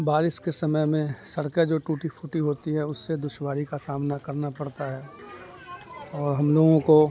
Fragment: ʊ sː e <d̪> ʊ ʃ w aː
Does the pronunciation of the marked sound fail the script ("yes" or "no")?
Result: no